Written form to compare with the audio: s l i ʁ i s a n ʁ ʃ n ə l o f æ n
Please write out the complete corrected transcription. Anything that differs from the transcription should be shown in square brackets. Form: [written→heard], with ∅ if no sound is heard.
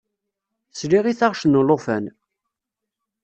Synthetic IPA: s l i ʁ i [s→θ] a [n→∅] ʁ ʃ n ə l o f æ n